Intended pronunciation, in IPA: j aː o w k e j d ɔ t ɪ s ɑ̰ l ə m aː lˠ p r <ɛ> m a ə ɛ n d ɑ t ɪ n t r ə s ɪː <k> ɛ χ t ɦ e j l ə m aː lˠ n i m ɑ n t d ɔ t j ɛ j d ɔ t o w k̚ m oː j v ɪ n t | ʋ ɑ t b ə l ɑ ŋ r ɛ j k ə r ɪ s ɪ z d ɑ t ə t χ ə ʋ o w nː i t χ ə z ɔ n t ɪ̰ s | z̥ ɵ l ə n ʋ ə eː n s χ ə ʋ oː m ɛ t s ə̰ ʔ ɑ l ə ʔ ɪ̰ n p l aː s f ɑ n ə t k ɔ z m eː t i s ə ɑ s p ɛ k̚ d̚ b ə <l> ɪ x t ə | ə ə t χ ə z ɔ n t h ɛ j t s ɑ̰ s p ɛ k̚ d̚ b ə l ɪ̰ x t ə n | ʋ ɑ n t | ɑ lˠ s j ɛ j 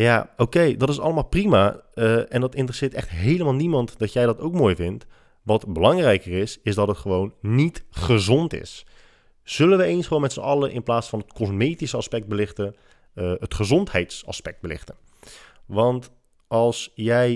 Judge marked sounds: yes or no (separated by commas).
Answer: no, no, yes